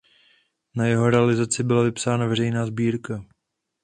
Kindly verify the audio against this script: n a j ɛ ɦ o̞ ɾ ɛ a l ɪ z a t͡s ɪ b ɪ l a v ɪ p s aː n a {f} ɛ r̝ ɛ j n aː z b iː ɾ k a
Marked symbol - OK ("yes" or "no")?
no